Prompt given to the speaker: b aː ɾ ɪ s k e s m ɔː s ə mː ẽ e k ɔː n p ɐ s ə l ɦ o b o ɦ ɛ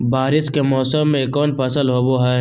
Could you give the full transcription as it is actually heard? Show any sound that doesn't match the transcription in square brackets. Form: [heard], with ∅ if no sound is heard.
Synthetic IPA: b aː ɾ ɪ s k e [∅] m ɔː s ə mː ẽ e k ɔː n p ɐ s ə l ɦ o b o ɦ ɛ